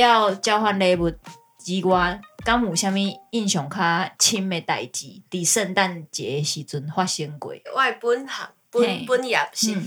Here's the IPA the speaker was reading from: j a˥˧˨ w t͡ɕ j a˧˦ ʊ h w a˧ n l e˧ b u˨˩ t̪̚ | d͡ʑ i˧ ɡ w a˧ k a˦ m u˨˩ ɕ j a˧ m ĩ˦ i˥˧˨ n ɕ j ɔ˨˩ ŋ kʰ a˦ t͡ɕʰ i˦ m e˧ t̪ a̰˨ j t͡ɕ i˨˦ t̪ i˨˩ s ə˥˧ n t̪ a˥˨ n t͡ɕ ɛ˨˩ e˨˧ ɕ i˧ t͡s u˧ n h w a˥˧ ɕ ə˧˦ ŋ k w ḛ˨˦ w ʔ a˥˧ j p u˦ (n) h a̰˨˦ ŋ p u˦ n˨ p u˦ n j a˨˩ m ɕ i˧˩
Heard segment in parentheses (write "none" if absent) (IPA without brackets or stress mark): n